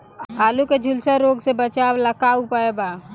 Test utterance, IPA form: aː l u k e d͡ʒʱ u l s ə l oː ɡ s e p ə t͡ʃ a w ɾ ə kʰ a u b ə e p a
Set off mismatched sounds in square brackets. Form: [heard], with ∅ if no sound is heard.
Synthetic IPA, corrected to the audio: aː l u k e d͡ʒʱ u l s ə [ɾ] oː ɡ s e [b] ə t͡ʃ a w [l] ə [k] a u [p] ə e [b] a

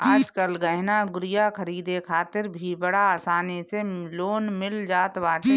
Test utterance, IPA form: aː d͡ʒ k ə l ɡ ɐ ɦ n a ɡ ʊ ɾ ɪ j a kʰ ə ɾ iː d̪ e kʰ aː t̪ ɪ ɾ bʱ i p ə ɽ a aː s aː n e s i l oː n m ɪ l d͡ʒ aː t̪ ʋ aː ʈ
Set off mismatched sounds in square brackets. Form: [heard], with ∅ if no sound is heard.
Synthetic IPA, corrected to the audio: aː d͡ʒ k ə l ɡ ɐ ɦ n a ɡ ʊ ɾ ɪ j a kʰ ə ɾ iː d̪ e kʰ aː t̪ ɪ ɾ bʱ i [b] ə ɽ a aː s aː n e s [e] l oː n m ɪ l d͡ʒ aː t̪ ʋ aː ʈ

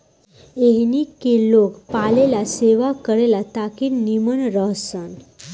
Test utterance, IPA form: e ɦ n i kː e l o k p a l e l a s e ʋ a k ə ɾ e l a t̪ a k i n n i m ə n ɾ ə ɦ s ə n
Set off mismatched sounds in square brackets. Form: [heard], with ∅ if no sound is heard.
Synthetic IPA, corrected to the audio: e ɦ n i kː e l o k p a l e l a s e ʋ a k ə ɾ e l a t̪ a k i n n i m ə n ɾ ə ɦ s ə n

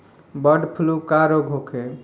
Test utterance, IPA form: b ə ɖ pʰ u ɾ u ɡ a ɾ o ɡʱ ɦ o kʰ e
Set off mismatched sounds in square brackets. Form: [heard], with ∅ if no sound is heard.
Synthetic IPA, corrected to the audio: b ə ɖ pʰ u [l] u [k] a ɾ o ɡʱ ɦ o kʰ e

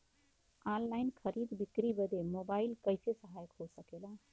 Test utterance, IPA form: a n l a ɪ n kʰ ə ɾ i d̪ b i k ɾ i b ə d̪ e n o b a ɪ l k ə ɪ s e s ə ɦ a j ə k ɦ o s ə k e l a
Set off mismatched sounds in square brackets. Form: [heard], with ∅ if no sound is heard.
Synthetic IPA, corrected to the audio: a n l a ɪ n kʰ ə ɾ i d̪ b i k ɾ i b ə d̪ e [m] o b a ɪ l k ə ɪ s e s ə ɦ a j ə k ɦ o s ə k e l a

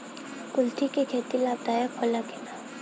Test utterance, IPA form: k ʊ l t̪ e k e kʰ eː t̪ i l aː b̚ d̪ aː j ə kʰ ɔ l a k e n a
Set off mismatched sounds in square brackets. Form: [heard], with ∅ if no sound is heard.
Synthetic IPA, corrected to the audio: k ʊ l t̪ [i] k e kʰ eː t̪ i l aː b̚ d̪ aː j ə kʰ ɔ l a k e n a

